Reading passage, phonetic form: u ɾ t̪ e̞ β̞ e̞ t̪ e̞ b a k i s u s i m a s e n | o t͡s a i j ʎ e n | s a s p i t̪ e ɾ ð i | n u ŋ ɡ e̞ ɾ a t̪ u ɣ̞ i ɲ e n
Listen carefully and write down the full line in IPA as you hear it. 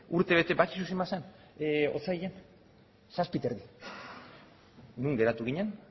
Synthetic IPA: u ɾ t̪ e̞ β̞ e̞ t̪ e̞ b a k i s u s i m a s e n | o t͡s a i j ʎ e n | s a s p i t̪ e ɾ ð i | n u ŋ ɡ e̞ ɾ a t̪ u ɣ̞ i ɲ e n